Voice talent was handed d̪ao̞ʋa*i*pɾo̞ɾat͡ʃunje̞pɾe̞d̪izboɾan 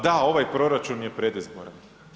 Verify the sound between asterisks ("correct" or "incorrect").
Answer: incorrect